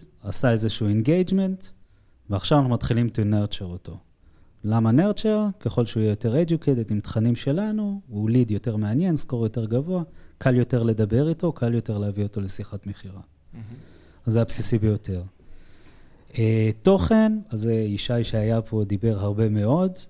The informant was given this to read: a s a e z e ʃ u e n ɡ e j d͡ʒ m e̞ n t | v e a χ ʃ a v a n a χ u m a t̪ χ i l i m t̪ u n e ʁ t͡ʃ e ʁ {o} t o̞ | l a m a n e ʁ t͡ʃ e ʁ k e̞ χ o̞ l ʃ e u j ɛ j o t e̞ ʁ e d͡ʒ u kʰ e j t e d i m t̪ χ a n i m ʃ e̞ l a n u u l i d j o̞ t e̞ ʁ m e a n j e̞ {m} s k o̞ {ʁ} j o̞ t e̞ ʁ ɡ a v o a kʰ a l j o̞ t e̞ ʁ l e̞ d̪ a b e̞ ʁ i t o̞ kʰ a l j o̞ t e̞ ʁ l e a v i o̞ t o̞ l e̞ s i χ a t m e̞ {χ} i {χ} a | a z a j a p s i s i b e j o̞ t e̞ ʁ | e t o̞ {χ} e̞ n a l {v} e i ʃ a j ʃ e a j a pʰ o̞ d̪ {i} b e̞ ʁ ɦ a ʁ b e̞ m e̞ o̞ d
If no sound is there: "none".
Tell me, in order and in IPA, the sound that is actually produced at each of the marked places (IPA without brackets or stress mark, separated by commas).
o, n, ʁ, χ, ʁ, χ, z, i